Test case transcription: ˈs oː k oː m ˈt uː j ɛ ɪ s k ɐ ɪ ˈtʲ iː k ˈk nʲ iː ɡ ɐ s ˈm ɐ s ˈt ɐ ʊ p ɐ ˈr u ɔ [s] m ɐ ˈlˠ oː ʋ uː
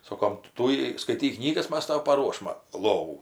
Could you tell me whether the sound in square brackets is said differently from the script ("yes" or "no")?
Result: yes